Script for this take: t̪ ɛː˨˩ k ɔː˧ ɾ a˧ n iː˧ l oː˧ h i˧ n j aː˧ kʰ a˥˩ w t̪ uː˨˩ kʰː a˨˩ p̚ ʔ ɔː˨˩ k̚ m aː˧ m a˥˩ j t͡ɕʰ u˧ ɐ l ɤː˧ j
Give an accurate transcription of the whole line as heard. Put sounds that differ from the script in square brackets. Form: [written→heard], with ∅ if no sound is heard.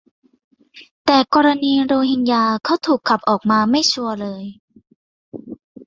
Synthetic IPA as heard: t̪ ɛː˨˩ k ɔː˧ ɾ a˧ n iː˧ [l→ɾ] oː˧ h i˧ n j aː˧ kʰ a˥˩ w [t̪→t̪ʰ] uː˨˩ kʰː a˨˩ p̚ ʔ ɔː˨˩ k̚ m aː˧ m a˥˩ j t͡ɕʰ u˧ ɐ l ɤː˧ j